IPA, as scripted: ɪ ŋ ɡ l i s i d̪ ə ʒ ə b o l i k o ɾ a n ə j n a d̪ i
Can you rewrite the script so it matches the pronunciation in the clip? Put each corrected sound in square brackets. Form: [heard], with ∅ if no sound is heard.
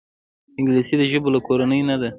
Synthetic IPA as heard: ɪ ŋ ɡ l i s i d̪ ə ʒ ə b o l [a] k o ɾ a n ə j n a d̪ [a]